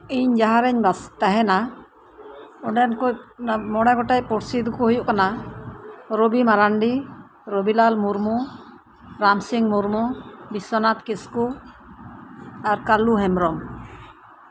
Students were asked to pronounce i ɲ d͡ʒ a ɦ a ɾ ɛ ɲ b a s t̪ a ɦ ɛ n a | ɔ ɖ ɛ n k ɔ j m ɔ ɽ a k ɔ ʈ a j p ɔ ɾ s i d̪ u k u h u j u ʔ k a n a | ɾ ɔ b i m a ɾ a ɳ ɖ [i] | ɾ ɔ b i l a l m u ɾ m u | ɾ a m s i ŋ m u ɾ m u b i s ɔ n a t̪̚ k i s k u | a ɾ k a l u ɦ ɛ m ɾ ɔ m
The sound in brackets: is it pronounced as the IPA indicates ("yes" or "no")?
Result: yes